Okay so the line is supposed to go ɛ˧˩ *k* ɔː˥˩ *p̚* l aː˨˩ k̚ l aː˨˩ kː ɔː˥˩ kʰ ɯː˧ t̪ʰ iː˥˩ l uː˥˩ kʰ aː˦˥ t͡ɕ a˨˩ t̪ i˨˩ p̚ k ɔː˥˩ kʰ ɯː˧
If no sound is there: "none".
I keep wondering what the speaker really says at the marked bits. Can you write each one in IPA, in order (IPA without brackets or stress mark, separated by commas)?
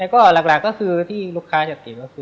k, none